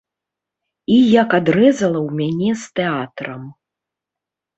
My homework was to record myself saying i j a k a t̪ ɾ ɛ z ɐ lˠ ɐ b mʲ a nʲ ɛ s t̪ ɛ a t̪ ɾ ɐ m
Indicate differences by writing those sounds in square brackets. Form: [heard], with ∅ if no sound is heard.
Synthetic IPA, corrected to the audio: i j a k a [d̪] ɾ ɛ z ɐ lˠ ɐ [w] mʲ a nʲ ɛ s t̪ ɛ a t̪ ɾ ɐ m